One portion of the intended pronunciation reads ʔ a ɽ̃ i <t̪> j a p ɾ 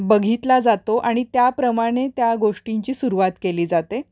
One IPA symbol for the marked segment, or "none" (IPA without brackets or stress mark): t̪